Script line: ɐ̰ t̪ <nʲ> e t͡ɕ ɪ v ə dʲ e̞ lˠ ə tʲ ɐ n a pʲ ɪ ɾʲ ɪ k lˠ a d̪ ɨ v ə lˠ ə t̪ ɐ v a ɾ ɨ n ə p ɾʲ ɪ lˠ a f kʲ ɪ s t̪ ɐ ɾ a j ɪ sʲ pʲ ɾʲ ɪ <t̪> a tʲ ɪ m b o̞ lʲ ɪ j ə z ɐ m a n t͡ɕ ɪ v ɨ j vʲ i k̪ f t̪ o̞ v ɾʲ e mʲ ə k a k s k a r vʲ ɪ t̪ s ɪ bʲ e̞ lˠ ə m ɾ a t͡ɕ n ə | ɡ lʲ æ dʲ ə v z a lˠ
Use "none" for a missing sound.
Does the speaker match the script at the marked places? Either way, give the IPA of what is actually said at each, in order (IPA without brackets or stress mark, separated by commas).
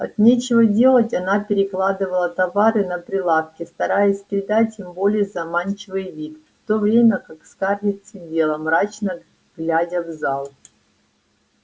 nʲ, d̪